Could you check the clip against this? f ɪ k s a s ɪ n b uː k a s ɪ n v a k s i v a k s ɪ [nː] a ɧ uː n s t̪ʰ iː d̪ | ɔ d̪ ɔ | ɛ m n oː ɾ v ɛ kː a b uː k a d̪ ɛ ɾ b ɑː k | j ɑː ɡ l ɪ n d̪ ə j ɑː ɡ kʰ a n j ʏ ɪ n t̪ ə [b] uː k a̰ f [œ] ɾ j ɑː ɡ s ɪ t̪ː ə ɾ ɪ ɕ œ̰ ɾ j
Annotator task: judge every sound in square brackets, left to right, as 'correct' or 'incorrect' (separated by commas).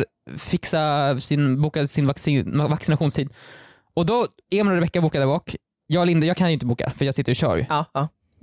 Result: incorrect, correct, correct